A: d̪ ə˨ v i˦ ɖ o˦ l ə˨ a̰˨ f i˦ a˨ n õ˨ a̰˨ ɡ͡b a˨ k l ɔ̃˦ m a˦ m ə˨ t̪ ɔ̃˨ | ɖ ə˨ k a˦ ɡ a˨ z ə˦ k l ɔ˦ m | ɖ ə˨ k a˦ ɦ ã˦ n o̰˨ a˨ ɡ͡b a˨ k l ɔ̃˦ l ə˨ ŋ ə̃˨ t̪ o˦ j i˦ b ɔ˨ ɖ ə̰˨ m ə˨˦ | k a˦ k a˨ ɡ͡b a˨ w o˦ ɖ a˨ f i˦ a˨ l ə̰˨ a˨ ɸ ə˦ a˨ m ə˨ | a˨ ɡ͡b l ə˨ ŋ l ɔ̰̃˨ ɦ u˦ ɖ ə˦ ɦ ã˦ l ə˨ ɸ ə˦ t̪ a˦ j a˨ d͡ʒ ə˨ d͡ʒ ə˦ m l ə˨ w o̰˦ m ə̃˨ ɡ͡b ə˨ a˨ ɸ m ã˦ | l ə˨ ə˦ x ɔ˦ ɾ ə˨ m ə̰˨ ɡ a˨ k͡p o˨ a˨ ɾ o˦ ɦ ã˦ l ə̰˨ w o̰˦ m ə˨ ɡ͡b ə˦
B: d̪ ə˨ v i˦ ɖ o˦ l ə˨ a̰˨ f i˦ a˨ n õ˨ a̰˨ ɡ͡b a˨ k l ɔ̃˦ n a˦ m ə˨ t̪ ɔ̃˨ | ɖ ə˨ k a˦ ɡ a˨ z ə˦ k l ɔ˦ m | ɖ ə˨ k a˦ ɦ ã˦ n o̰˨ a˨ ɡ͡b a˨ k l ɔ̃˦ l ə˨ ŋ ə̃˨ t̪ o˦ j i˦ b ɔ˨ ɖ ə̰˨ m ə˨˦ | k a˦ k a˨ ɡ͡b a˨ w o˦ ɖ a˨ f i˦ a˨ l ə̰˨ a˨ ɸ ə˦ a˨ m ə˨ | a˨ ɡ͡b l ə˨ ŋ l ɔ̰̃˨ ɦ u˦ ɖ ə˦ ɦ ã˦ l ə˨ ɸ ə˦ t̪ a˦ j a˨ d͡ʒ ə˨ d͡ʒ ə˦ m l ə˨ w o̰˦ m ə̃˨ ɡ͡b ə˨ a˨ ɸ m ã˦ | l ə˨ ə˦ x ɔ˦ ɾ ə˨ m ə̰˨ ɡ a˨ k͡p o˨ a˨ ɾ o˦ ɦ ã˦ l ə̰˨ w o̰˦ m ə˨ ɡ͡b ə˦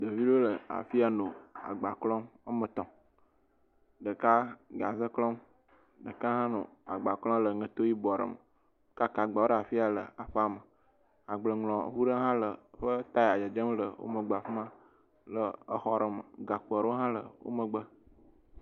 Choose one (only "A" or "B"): A